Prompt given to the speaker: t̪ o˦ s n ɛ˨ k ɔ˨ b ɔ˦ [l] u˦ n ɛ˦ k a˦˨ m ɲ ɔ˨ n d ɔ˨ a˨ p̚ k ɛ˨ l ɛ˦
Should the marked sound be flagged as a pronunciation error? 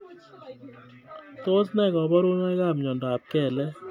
yes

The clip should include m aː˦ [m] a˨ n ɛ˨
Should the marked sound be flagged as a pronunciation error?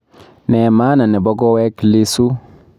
yes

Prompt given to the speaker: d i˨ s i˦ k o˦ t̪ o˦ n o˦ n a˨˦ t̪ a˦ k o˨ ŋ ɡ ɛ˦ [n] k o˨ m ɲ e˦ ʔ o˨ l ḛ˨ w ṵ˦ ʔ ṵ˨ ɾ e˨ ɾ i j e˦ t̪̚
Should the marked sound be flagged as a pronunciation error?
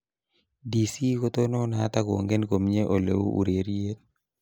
no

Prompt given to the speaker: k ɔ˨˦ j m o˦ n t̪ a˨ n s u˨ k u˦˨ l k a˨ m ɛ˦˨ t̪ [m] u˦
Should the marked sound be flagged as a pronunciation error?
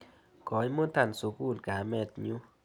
yes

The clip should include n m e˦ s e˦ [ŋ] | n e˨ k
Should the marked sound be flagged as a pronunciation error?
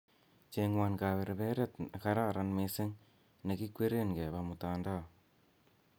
no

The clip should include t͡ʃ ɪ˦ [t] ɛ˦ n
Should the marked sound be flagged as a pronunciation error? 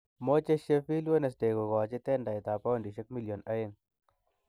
no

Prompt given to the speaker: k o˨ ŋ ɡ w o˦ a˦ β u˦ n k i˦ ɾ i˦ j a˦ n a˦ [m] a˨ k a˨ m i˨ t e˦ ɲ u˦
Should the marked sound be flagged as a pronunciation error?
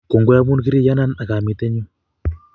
yes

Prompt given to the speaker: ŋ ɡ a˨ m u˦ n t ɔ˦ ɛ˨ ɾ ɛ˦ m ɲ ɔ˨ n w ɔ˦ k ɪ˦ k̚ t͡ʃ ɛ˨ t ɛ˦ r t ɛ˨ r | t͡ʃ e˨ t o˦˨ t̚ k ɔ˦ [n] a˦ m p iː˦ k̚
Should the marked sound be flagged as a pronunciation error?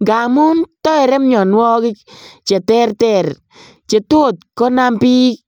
no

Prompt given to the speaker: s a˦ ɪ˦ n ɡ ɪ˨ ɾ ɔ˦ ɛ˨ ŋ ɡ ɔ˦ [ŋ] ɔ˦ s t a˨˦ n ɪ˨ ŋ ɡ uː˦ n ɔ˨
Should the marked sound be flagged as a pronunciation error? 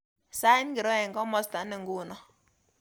yes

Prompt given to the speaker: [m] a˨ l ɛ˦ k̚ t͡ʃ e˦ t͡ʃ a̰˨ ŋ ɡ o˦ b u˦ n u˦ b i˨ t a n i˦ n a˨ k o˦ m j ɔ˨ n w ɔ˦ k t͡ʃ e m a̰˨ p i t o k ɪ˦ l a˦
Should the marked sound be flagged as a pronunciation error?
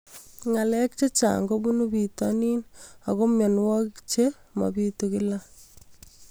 yes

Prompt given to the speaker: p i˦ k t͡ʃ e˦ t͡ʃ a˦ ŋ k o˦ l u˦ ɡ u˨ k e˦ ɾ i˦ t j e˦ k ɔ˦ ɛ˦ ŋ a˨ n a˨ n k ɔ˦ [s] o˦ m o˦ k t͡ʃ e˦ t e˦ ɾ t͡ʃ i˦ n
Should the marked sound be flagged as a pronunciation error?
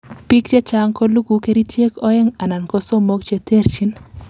no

